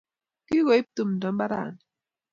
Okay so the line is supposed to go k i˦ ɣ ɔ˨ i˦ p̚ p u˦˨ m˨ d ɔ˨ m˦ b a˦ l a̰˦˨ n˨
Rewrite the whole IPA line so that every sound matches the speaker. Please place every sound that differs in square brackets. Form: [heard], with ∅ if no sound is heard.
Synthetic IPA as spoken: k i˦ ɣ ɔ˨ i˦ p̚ [t] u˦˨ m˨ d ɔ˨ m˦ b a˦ [ɾ] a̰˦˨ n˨